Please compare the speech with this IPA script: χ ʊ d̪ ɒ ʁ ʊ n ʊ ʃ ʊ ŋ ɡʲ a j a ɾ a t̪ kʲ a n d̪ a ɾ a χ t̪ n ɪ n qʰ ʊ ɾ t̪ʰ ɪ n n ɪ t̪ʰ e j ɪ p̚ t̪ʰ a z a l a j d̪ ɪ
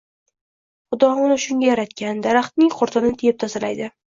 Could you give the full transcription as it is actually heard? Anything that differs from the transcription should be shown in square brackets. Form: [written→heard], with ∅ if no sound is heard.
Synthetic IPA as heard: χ ʊ d̪ ɒ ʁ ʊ n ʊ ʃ ʊ ŋ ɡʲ a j a ɾ a t̪ kʲ a n d̪ a ɾ a χ t̪ n ɪ [n→ŋ] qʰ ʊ ɾ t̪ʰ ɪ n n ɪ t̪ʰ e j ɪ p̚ t̪ʰ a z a l a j d̪ ɪ